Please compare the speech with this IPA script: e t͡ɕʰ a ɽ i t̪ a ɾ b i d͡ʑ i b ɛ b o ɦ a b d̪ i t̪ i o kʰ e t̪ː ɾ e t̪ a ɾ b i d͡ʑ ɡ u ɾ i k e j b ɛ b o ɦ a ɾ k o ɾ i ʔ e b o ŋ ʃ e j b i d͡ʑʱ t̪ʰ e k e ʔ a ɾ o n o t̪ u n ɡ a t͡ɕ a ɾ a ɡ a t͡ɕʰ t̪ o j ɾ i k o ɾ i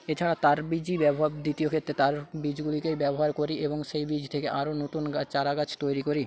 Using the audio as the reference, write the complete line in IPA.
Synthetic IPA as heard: e t͡ɕʰ a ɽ a t̪ a ɾ b i d͡ʑ i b ɛ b o ɦ a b d̪ i t̪ i o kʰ e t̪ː ɾ e t̪ a ɾ b i d͡ʑ ɡ u l i k e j b ɛ b o ɦ a ɾ k o ɾ i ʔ e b o ŋ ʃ e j b i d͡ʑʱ t̪ʰ e k e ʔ a ɾ o n o t̪ u n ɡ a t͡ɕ a ɾ a ɡ a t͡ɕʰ t̪ o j ɾ i k o ɾ i